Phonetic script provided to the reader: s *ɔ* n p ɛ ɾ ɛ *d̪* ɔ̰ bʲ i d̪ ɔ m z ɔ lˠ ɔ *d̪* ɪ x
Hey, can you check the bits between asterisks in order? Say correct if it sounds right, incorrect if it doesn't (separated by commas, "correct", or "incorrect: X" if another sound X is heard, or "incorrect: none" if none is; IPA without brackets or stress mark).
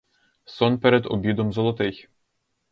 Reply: correct, correct, incorrect: t̪